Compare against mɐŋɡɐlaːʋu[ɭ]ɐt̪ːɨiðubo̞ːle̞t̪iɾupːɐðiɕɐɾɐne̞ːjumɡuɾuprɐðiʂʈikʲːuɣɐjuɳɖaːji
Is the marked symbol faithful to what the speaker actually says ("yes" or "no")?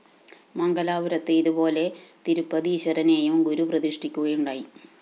no